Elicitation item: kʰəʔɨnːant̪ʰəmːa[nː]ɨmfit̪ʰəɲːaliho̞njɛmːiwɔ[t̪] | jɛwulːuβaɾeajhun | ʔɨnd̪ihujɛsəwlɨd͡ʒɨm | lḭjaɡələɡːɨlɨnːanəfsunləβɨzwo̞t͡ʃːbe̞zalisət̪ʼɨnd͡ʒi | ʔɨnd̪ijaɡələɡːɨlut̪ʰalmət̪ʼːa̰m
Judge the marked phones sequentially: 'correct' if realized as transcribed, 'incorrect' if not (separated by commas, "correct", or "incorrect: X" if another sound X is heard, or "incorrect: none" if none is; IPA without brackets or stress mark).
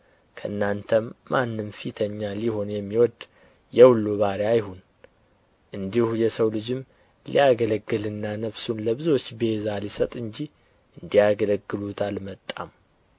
correct, incorrect: d̪